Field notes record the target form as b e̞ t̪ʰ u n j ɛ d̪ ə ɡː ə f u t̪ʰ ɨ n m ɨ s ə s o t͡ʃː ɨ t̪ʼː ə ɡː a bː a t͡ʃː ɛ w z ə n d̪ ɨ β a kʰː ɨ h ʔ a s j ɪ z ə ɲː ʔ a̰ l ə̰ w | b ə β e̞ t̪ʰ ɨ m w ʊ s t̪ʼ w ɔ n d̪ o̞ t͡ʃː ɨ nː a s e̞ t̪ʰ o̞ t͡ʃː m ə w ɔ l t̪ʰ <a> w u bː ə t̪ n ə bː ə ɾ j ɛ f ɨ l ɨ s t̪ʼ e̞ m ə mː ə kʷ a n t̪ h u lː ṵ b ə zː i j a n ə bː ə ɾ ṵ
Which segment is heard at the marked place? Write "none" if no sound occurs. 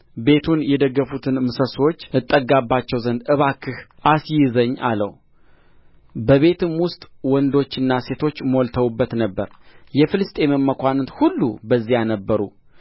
ə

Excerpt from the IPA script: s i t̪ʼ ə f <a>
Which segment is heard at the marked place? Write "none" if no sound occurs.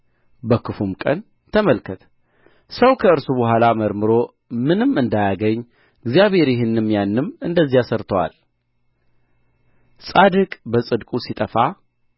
a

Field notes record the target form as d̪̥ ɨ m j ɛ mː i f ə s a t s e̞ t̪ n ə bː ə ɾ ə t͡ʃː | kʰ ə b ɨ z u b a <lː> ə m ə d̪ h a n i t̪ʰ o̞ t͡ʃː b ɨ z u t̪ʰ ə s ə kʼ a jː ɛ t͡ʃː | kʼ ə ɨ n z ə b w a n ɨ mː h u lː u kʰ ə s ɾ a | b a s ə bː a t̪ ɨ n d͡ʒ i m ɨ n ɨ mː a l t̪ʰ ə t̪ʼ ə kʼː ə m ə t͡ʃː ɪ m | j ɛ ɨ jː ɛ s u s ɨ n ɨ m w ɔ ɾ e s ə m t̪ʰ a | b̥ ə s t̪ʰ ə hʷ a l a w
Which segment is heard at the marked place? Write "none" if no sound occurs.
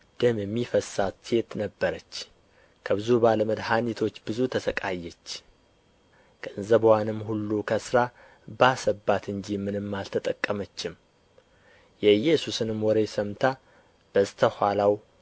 l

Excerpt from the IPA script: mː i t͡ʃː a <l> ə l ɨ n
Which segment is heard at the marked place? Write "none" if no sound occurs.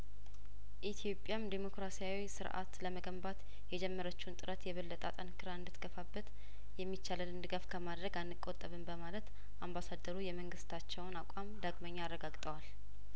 l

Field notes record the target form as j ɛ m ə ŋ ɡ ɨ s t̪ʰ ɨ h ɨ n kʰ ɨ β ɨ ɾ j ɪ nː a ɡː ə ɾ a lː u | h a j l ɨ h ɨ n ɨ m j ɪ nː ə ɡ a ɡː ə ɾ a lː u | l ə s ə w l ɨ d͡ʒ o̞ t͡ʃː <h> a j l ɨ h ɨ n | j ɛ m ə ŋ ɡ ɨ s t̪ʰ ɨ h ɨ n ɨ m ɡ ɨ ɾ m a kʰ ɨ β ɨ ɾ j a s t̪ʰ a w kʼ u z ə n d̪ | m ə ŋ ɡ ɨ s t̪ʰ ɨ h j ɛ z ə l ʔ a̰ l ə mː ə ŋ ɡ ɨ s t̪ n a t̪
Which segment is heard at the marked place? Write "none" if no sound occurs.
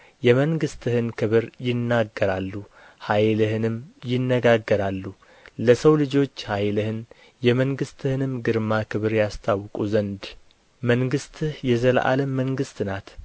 h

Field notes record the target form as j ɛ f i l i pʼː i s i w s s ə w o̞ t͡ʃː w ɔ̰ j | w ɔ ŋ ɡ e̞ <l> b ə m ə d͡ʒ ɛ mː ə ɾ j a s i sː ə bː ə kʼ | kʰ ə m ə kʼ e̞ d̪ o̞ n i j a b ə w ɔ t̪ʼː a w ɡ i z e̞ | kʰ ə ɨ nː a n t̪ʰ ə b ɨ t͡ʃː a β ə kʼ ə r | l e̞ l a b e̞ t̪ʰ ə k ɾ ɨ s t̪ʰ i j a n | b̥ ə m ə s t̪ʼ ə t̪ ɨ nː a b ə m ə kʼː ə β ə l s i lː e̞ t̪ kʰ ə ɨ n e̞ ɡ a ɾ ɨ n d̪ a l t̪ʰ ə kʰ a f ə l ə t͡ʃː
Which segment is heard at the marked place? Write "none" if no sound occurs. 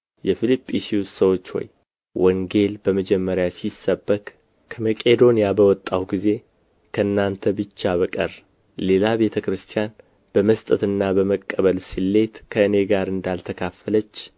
l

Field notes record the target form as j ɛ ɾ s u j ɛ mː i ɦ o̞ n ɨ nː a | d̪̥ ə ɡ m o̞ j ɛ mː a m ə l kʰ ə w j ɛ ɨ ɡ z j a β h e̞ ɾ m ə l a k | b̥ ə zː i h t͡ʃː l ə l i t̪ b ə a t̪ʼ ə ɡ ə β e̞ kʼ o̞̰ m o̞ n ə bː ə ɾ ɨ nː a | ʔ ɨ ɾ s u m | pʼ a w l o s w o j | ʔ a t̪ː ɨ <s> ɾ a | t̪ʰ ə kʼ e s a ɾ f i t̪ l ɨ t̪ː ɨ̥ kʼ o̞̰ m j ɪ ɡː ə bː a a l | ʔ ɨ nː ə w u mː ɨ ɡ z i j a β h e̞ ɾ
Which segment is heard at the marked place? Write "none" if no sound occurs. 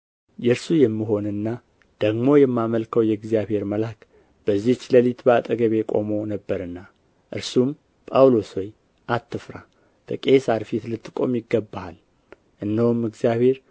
f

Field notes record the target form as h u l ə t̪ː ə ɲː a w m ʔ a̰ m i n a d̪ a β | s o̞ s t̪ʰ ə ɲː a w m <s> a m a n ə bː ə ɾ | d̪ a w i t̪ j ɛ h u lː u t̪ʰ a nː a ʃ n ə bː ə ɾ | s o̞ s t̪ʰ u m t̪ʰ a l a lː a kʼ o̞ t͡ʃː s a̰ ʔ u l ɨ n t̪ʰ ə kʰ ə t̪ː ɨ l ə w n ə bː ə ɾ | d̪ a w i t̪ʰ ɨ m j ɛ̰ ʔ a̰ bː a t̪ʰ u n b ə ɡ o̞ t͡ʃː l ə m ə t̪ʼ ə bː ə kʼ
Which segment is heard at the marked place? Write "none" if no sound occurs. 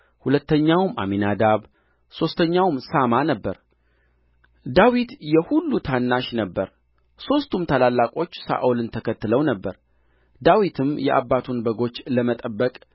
s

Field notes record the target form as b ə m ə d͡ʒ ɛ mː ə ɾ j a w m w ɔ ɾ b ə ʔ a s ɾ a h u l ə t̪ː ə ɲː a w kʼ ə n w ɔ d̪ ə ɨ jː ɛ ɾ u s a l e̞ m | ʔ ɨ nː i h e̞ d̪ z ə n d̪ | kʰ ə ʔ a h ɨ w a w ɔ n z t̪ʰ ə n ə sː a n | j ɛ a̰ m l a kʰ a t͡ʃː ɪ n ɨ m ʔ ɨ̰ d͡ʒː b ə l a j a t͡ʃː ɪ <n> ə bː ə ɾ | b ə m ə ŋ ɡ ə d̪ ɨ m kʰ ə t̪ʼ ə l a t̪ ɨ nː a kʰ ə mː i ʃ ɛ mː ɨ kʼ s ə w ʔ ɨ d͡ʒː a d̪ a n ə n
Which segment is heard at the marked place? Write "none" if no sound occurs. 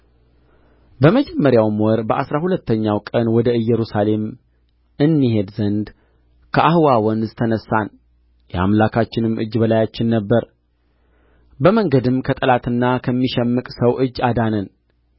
nː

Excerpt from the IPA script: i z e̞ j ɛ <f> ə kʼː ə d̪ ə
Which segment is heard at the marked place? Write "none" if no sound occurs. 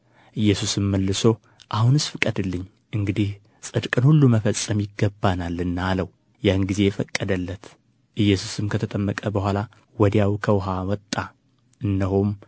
f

